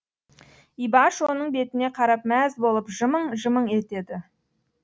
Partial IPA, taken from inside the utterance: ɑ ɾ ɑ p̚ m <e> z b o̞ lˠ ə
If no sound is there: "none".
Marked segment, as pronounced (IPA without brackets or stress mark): æ